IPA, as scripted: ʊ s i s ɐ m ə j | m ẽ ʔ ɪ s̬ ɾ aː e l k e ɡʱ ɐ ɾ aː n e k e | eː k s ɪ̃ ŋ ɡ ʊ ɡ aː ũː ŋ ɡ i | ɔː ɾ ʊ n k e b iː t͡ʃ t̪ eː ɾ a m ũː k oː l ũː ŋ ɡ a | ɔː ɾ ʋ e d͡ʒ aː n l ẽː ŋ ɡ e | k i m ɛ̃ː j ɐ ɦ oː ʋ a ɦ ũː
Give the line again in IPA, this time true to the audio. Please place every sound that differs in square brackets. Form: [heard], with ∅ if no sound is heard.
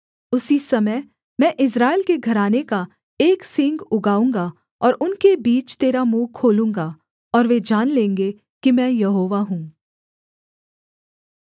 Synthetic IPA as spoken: ʊ s i s ɐ m ə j | m [ɛ̃] ʔ ɪ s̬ ɾ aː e l k e ɡʱ ɐ ɾ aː n e k [a] | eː k s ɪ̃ ŋ ɡ ʊ ɡ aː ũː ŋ ɡ [a] | ɔː ɾ ʊ n k e b iː t͡ʃ t̪ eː ɾ a m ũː [kʰ] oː l ũː ŋ ɡ a | ɔː ɾ ʋ e d͡ʒ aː n l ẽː ŋ ɡ e | k i m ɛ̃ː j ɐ ɦ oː ʋ a ɦ ũː